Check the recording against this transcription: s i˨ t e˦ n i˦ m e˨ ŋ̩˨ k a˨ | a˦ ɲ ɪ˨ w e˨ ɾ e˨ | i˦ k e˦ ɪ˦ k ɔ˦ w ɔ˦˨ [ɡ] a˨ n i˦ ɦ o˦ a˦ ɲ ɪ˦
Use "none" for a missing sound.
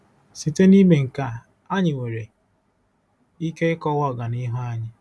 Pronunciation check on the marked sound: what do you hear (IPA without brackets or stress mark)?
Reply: ɡ